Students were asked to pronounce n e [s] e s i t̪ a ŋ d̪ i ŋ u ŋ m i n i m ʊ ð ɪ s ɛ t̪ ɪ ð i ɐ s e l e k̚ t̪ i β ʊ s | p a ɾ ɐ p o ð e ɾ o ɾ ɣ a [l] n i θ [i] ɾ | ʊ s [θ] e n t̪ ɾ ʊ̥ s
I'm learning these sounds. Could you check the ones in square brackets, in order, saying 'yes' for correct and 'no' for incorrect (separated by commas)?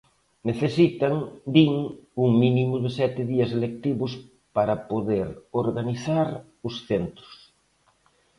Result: no, no, no, yes